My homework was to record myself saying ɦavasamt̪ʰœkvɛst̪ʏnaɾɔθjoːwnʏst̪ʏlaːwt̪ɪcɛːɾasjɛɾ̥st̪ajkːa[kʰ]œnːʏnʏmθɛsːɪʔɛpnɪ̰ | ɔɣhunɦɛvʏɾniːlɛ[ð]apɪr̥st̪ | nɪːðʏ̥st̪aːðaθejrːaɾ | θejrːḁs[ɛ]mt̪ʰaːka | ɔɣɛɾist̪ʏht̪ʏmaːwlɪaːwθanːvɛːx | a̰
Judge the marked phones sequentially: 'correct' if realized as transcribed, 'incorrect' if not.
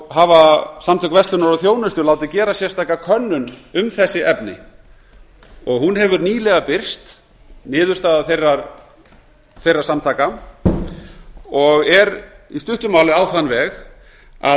correct, incorrect: ɣ, incorrect: a

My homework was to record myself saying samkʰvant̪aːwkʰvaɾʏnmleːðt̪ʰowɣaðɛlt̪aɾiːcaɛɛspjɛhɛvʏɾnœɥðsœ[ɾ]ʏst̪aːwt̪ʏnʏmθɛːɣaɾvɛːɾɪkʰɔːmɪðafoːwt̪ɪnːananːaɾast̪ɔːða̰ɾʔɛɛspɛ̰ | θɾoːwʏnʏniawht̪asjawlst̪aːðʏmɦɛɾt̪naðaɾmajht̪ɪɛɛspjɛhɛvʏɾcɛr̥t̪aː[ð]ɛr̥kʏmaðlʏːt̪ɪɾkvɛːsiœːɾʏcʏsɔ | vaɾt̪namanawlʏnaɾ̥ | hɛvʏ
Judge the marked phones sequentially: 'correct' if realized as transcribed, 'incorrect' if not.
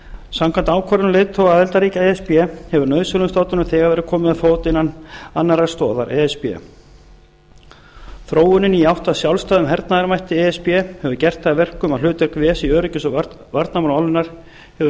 incorrect: l, incorrect: v

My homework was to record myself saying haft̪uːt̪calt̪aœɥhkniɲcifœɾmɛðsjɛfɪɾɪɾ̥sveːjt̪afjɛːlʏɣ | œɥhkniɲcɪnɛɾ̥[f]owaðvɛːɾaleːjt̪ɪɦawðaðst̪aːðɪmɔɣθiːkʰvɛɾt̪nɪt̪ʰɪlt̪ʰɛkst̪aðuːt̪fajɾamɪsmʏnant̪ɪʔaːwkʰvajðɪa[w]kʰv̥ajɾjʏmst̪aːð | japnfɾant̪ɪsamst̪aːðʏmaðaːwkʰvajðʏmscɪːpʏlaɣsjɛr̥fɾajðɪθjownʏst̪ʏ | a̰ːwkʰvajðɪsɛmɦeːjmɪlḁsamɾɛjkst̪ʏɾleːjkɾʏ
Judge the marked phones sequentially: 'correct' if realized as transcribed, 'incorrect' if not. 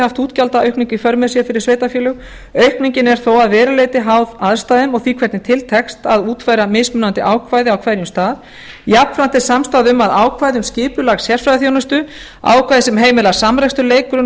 incorrect: θ, correct

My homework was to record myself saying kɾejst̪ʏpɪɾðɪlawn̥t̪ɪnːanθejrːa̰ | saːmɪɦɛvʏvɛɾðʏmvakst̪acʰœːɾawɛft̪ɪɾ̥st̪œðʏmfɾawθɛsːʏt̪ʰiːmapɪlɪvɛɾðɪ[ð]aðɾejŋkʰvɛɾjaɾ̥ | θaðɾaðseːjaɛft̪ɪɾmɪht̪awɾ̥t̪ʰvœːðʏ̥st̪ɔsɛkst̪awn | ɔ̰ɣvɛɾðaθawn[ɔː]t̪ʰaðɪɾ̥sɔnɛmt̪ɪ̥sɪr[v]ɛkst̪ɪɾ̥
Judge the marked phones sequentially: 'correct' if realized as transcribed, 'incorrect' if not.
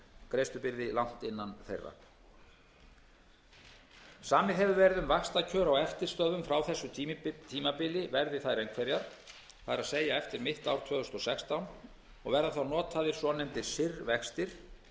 incorrect: θ, correct, correct

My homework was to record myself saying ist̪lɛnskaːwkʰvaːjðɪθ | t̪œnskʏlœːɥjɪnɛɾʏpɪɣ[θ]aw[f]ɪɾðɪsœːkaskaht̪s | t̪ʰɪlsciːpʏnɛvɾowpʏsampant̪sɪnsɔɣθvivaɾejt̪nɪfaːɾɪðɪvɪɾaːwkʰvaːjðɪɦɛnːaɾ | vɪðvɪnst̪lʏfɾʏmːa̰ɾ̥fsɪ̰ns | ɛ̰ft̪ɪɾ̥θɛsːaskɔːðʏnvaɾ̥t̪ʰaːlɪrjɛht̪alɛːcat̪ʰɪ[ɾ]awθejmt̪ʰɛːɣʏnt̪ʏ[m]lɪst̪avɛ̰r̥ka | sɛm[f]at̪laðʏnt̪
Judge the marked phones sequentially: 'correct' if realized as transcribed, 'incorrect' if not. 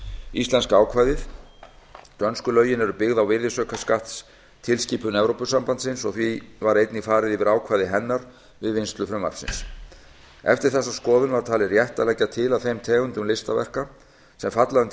incorrect: ð, incorrect: v, incorrect: l, correct, correct

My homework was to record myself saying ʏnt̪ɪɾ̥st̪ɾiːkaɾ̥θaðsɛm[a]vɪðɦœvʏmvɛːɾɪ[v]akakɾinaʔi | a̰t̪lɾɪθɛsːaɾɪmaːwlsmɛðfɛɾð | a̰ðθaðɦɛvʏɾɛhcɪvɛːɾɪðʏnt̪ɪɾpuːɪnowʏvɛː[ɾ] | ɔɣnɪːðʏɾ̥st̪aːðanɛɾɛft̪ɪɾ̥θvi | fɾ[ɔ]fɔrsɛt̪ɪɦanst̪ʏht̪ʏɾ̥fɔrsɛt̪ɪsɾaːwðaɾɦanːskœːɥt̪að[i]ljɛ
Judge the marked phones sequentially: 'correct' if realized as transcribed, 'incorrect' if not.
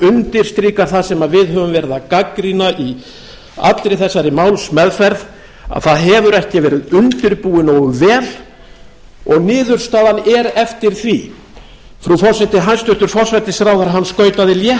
correct, incorrect: ð, incorrect: l, incorrect: u, incorrect: ɪ

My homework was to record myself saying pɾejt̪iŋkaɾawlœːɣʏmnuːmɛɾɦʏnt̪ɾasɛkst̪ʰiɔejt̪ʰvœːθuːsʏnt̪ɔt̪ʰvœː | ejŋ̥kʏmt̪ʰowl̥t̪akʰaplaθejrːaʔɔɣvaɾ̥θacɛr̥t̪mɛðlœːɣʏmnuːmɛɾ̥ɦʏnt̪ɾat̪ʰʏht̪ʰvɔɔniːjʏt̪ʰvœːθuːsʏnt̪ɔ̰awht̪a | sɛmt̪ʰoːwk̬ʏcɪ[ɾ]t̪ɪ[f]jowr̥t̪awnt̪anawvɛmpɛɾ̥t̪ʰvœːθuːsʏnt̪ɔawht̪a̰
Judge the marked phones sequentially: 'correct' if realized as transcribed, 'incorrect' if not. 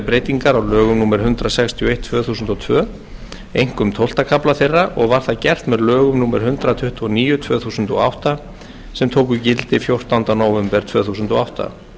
incorrect: l, correct

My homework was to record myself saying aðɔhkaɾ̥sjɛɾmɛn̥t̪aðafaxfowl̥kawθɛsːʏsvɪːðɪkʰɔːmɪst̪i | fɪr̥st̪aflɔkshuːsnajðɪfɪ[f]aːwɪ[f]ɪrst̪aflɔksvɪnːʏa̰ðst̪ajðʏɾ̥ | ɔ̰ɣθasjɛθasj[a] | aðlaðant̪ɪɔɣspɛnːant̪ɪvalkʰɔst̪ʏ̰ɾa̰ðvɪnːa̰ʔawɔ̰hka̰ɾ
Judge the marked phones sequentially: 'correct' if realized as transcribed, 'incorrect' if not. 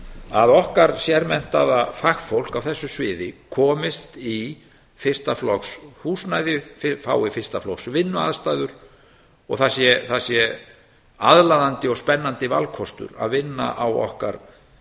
correct, correct, incorrect: ɛ

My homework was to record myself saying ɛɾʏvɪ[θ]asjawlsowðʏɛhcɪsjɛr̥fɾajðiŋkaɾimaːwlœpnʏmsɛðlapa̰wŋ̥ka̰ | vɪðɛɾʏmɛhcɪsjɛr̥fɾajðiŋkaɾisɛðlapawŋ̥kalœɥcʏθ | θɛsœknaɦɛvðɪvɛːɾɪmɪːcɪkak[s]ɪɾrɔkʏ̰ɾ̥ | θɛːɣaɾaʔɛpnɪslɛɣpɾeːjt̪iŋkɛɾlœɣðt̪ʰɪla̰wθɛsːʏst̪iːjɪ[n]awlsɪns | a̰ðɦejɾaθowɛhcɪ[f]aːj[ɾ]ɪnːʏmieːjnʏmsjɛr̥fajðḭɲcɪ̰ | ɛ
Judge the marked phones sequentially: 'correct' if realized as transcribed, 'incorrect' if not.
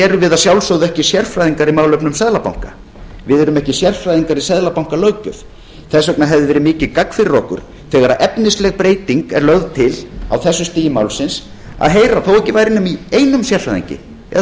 incorrect: ð, incorrect: f, incorrect: m, incorrect: v, correct

